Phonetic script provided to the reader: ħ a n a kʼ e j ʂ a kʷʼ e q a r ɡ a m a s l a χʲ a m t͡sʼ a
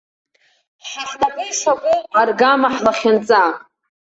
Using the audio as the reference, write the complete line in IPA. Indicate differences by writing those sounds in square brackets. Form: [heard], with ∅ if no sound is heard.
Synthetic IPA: ħ a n a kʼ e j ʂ a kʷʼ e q a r ɡ a m a [ħ] l a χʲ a [n] t͡sʼ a